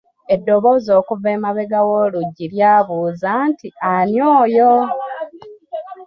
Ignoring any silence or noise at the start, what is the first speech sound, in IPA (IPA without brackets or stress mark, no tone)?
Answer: e̞